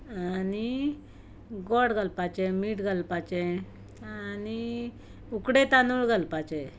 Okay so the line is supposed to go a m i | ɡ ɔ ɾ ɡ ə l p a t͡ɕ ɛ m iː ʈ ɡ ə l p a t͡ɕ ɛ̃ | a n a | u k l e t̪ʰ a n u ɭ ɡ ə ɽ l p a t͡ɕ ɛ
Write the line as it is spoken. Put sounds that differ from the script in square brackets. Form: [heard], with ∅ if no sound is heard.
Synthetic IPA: a [n] i | ɡ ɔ [ɽ] ɡ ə l p a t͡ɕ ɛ m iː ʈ ɡ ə l p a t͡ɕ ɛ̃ | a n [i] | u k [ɽ] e [t̪] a n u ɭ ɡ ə [∅] l p a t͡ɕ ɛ